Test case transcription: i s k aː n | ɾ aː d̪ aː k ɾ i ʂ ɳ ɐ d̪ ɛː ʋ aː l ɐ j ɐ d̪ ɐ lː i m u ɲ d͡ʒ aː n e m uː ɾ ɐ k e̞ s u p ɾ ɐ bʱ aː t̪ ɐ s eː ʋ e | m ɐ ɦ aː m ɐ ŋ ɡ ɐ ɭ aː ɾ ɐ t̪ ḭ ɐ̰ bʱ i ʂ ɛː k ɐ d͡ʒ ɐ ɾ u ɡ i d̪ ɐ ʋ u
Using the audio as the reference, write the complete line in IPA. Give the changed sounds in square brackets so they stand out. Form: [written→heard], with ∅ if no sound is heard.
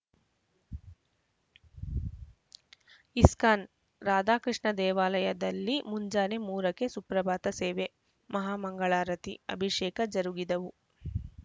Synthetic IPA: i s k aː n | ɾ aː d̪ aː k ɾ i ʂ ɳ ɐ d̪ ɛː ʋ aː l ɐ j ɐ d̪ ɐ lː i m u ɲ d͡ʒ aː n e m uː ɾ ɐ k e̞ s u p ɾ ɐ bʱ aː t̪ ɐ s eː ʋ e | m ɐ ɦ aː m ɐ ŋ ɡ ɐ ɭ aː ɾ ɐ t̪ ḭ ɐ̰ bʱ i ʂ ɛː k ɐ d͡ʒ ɐ ɾ u ɡ i d̪ ɐ ʋ u